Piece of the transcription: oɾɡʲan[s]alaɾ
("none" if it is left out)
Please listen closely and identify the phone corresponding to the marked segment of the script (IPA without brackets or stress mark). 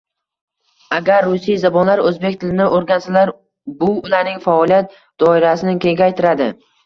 s